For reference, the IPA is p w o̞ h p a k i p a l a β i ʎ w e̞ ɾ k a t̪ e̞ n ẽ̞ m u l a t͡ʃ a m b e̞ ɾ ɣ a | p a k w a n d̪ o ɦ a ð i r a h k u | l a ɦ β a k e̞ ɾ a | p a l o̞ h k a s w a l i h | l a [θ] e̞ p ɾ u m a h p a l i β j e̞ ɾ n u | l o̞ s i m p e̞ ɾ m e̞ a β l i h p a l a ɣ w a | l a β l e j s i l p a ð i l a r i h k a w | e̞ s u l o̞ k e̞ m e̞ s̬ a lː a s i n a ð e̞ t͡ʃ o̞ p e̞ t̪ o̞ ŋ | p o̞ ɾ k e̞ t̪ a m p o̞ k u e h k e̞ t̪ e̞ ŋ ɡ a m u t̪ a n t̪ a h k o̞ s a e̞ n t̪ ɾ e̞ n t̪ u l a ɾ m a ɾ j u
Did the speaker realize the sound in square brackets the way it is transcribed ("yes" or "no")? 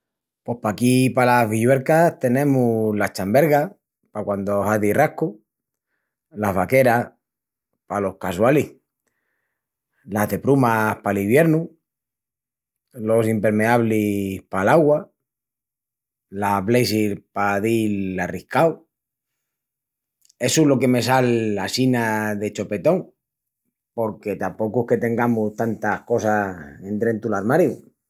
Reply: no